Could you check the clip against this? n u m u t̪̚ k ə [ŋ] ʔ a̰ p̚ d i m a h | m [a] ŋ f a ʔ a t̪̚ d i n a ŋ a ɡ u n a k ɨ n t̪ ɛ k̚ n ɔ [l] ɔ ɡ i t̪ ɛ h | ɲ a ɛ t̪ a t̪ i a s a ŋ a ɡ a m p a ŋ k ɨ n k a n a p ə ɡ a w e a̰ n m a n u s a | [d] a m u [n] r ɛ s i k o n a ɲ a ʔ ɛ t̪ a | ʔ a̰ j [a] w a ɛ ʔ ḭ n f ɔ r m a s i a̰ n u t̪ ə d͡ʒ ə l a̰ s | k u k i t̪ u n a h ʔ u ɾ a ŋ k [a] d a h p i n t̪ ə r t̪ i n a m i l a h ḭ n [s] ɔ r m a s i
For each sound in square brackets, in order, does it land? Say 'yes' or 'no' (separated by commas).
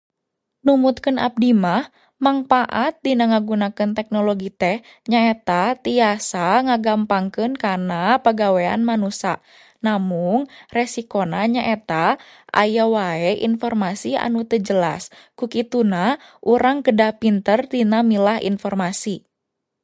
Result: no, yes, yes, no, no, yes, no, no